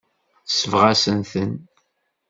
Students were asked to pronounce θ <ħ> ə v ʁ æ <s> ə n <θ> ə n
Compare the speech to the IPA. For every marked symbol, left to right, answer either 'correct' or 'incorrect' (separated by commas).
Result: incorrect, correct, correct